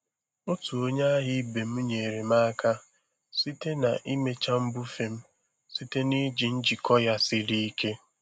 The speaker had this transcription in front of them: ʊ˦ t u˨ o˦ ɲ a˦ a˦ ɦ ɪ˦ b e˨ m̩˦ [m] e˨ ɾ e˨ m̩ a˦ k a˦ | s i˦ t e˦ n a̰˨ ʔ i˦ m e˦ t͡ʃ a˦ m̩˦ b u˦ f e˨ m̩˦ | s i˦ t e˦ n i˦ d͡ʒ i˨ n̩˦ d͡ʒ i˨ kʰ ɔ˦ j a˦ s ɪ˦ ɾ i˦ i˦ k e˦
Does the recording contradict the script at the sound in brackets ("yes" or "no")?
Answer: yes